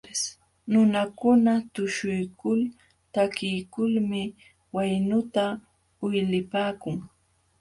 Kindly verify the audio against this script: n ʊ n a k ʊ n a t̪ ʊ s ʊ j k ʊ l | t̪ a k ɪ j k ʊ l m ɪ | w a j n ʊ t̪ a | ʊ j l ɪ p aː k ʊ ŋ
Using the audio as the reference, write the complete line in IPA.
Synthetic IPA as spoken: n ʊ n a k ʊ n a t̪ ʊ ʃ ʊ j k ʊ l | t̪ a k ɪ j k ʊ l m ɪ | w a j n ʊ t̪ a | ʊ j l ɪ p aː k ʊ ŋ